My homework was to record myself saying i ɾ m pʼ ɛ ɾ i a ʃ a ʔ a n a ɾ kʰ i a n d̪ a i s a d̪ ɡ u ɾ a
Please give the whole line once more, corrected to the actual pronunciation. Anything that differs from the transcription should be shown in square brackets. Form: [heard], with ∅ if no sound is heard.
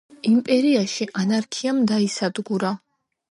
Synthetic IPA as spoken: i [∅] m pʼ ɛ ɾ i a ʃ [i] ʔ a n a ɾ kʰ i a [m] d̪ a i s a d̪ ɡ u ɾ a